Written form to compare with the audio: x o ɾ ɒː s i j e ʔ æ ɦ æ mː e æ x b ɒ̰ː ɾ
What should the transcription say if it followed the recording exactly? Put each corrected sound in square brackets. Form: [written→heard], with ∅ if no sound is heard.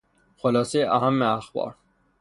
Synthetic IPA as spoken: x o [ɾ→l] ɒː s [i→e] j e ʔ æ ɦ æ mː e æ x b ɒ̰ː ɾ